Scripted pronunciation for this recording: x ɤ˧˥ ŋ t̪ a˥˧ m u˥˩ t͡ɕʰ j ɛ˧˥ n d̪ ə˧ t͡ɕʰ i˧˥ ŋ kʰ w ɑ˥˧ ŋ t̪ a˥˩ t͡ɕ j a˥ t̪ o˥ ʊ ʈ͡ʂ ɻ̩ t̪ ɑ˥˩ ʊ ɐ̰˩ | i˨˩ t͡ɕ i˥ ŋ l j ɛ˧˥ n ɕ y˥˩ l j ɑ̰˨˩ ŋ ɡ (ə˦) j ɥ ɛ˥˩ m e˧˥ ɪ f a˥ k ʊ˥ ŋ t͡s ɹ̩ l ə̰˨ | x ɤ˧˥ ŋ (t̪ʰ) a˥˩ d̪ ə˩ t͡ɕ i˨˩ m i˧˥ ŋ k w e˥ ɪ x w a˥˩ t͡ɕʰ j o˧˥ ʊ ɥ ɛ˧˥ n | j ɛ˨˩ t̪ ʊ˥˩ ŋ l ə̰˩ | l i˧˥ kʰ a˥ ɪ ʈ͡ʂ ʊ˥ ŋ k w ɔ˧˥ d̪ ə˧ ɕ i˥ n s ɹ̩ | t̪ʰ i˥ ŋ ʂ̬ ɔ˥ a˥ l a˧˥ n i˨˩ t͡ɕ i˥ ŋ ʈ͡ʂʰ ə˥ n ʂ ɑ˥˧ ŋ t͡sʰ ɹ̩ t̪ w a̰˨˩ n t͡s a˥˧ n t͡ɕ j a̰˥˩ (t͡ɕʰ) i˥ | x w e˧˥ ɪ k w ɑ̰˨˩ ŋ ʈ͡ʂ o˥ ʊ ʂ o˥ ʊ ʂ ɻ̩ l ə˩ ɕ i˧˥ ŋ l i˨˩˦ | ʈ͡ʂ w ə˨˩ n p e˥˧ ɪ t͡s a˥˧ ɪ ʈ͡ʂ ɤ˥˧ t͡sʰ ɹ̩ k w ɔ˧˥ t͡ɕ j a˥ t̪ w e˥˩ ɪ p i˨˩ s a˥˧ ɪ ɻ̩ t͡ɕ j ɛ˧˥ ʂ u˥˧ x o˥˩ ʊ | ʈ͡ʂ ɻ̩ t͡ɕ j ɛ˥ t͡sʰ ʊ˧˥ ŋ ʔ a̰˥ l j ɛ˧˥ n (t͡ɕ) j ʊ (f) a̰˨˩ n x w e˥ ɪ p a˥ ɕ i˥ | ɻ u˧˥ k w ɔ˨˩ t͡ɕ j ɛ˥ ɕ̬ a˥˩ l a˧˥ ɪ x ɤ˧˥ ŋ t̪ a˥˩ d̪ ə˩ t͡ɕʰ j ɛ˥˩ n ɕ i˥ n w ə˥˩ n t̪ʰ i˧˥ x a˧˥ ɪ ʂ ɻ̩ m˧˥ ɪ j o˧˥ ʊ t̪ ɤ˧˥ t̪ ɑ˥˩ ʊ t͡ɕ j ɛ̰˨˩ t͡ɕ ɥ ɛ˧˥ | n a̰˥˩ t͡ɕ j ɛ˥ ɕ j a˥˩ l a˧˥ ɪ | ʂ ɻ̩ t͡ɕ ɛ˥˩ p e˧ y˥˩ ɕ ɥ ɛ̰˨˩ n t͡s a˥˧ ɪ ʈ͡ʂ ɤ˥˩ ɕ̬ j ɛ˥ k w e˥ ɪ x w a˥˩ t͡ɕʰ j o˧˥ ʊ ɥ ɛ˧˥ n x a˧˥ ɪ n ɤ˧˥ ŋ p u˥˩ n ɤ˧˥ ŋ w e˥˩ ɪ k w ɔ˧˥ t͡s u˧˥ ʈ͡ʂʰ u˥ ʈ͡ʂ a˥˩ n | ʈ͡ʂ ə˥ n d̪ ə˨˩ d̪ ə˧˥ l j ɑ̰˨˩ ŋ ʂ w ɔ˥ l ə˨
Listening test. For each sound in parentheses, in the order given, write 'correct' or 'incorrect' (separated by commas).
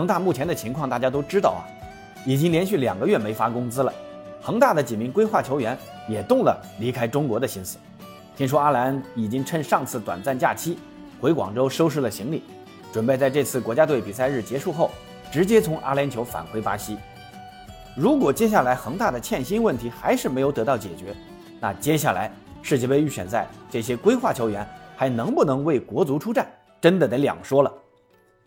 correct, incorrect, correct, incorrect, correct